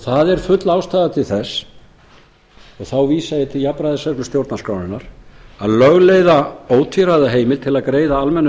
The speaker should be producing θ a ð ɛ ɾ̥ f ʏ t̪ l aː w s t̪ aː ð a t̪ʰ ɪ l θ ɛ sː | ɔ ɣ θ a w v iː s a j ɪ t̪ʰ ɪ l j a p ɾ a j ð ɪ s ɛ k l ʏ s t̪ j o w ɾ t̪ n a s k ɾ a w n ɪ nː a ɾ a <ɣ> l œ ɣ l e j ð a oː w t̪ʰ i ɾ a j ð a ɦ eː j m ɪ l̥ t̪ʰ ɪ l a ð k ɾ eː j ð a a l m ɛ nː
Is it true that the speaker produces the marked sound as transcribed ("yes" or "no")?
no